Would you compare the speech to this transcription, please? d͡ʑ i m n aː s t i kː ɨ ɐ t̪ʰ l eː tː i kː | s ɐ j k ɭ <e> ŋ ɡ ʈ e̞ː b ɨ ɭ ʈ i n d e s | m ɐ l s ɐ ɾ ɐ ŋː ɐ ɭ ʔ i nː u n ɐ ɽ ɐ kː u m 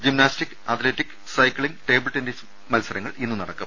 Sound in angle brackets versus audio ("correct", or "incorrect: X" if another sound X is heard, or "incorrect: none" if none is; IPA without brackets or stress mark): incorrect: i